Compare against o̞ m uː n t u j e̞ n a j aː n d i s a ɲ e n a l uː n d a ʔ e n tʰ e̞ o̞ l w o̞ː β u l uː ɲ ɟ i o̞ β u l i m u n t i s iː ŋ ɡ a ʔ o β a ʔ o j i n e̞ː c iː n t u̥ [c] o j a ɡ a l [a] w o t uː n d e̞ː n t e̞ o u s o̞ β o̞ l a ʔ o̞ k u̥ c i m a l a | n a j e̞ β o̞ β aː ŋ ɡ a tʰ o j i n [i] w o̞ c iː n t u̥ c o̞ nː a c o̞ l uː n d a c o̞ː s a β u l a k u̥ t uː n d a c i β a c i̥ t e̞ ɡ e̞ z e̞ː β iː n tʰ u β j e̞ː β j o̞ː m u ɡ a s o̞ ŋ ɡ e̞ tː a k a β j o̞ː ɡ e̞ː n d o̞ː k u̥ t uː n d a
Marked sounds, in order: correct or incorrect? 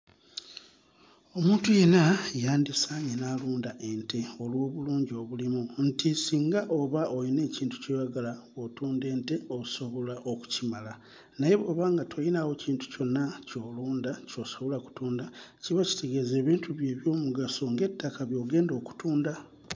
correct, correct, incorrect: a

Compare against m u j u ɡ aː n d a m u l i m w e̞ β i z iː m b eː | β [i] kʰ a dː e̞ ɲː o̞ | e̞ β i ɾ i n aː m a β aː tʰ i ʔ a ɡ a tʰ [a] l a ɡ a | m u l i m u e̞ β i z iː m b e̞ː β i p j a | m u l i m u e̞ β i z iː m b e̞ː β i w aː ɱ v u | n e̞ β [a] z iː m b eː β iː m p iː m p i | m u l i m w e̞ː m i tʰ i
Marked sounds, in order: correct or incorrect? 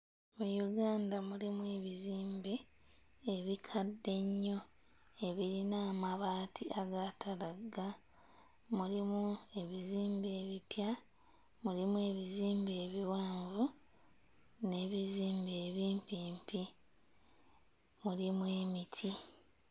correct, correct, incorrect: i

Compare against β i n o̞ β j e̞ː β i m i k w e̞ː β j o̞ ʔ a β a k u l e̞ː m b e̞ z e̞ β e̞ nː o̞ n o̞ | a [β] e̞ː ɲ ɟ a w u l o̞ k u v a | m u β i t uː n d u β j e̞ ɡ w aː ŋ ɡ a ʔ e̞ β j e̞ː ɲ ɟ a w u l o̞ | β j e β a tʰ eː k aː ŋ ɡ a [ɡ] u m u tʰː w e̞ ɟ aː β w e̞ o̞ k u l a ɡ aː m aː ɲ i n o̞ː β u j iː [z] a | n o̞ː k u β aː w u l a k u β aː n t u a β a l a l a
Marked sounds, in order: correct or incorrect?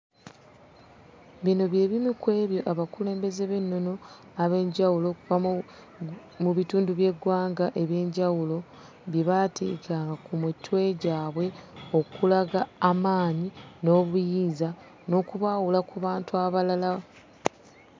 correct, incorrect: k, correct

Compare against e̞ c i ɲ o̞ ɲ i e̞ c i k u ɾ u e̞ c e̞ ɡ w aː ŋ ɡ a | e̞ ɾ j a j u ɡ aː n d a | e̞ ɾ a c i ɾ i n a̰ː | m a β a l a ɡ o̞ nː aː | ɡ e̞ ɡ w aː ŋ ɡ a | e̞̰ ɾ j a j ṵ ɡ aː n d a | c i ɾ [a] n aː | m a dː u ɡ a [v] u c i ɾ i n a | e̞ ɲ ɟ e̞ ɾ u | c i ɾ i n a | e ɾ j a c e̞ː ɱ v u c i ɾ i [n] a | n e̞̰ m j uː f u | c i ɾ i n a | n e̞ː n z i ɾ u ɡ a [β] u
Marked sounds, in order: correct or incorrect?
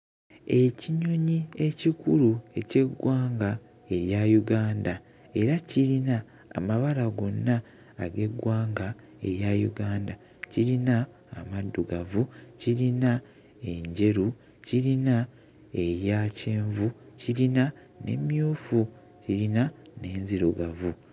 incorrect: i, correct, correct, incorrect: v

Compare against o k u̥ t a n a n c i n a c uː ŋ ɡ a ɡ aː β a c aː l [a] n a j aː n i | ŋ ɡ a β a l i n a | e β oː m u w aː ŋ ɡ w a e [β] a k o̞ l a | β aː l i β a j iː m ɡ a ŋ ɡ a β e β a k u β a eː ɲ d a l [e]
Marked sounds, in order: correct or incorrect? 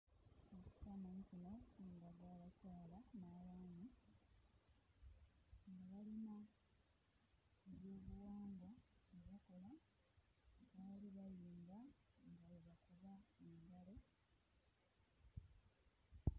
correct, correct, correct

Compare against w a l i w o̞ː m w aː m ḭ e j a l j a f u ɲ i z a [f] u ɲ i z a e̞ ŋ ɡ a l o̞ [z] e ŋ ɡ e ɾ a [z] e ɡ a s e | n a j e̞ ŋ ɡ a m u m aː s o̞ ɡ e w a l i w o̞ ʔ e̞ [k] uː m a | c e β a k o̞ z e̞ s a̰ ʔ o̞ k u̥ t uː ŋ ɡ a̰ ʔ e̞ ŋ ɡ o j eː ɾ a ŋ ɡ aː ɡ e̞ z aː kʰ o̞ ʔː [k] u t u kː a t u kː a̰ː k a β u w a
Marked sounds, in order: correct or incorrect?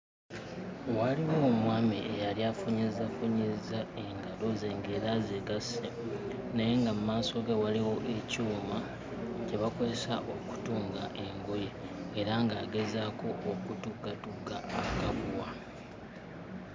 correct, correct, correct, incorrect: c, correct

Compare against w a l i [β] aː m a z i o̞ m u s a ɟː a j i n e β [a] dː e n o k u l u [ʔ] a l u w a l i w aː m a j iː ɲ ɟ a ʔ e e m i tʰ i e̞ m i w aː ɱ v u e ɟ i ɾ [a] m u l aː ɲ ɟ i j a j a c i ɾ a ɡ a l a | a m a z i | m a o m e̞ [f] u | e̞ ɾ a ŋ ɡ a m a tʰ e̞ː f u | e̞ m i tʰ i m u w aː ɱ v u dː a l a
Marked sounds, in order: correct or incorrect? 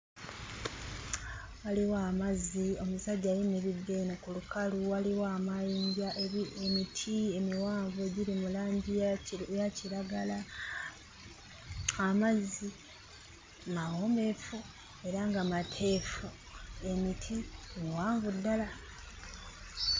incorrect: w, incorrect: i, incorrect: k, incorrect: i, correct

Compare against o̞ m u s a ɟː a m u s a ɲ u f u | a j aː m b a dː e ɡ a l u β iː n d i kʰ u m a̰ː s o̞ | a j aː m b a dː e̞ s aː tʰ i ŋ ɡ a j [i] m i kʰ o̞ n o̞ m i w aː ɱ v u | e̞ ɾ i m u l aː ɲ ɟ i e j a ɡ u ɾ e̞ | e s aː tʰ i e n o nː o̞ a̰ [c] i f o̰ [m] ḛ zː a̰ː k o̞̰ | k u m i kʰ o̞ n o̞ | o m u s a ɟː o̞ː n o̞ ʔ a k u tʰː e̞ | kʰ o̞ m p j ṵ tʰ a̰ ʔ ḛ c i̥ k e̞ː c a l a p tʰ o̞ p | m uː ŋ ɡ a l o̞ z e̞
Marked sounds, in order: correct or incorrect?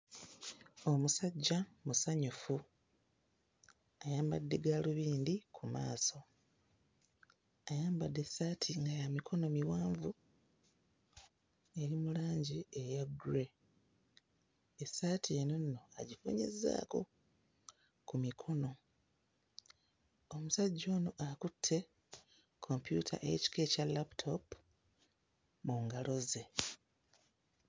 incorrect: a, incorrect: ɟ, incorrect: ɲ

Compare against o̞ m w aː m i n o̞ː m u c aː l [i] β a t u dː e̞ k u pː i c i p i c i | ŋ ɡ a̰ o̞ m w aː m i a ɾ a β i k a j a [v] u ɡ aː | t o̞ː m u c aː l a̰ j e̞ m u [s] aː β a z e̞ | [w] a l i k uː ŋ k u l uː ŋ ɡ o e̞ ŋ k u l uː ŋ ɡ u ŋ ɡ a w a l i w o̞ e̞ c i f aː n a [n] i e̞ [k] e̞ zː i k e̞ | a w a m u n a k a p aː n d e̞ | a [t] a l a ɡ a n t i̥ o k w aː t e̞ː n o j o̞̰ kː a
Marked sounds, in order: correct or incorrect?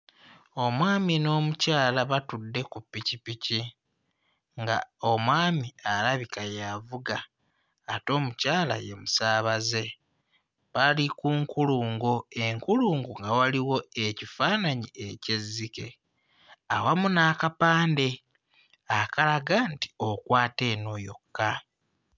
incorrect: a, correct, correct, incorrect: β, incorrect: ɲ, incorrect: c, incorrect: k

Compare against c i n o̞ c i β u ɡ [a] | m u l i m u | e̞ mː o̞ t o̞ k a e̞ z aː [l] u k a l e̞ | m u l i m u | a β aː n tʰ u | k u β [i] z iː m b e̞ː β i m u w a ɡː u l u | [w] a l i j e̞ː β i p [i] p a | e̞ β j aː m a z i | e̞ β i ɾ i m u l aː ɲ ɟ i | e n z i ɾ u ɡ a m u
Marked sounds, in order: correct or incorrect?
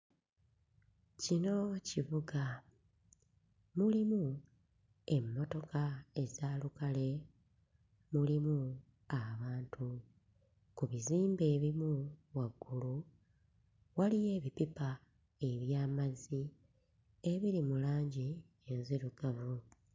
correct, correct, correct, correct, correct

